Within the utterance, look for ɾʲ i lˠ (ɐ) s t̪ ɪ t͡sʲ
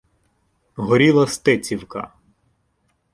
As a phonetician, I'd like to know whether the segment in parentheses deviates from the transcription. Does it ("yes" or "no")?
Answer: no